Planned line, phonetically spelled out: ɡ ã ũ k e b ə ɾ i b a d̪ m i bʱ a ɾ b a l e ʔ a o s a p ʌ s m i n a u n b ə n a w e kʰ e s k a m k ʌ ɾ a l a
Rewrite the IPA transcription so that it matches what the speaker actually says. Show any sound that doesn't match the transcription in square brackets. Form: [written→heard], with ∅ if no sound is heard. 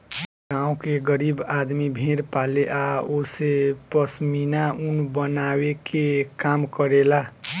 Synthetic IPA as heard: ɡ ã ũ k e [b→ɡ] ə ɾ i b a d̪ m i bʱ [a→e] ɾ [b→p] a l e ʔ a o s [a→e] p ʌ s m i n a u n b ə n a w e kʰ e [s→∅] k a m k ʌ ɾ [a→e] l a